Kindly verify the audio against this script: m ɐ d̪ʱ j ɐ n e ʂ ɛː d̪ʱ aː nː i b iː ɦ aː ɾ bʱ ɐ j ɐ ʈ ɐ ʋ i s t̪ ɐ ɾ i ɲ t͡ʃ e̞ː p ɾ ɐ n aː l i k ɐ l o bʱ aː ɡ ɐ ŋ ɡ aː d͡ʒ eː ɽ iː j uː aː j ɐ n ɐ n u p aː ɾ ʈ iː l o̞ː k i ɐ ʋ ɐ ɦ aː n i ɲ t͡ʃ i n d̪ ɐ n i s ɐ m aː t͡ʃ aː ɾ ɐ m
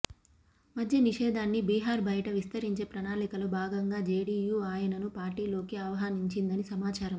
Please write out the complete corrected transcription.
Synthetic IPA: m ɐ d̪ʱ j ɐ n i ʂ ɛː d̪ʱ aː nː i b iː ɦ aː ɾ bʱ ɐ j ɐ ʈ ɐ ʋ i s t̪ ɐ ɾ i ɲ t͡ʃ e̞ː p ɾ ɐ n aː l i k ɐ l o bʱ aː ɡ ɐ ŋ ɡ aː d͡ʒ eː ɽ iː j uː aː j ɐ n ɐ n u p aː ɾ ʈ iː l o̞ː k i ɐ ʋ ɐ ɦ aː n i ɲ t͡ʃ i n d̪ ɐ n i s ɐ m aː t͡ʃ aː ɾ ɐ m